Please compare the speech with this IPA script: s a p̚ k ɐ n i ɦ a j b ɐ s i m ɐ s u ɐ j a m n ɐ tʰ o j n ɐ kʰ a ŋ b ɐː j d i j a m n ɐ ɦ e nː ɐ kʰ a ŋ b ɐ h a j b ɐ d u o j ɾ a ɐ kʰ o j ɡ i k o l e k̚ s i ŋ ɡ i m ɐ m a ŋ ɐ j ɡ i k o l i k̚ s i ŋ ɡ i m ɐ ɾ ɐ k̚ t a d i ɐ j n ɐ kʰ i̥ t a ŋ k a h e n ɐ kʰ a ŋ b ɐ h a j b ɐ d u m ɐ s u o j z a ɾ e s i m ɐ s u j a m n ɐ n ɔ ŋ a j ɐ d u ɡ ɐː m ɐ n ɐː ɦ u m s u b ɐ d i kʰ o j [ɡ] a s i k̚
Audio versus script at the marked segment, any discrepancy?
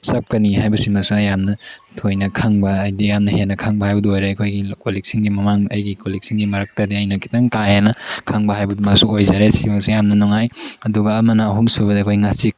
yes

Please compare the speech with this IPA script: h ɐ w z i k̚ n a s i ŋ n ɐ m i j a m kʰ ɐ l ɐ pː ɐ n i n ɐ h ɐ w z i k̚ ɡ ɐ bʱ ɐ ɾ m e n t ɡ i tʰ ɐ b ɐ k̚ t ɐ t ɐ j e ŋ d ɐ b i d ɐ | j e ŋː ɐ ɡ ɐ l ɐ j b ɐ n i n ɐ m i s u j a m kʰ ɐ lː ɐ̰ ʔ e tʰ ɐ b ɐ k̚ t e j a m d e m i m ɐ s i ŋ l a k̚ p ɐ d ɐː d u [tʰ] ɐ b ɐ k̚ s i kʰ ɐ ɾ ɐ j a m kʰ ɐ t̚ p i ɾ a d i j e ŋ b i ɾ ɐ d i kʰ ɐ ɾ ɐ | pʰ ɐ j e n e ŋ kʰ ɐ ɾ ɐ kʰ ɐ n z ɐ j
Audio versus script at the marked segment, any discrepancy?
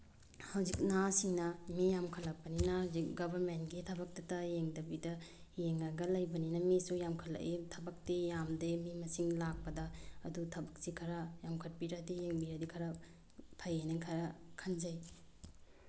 no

